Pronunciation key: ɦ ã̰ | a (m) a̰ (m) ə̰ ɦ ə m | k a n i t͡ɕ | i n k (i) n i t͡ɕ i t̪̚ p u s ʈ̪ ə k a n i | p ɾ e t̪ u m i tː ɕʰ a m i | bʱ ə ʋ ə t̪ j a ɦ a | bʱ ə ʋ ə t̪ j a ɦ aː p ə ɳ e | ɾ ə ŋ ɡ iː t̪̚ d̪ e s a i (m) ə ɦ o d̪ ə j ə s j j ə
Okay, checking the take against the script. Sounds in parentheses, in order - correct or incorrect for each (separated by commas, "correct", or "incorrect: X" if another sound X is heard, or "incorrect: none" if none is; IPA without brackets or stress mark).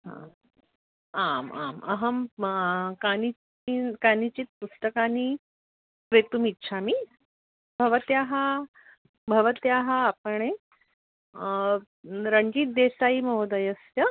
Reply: correct, correct, incorrect: a, correct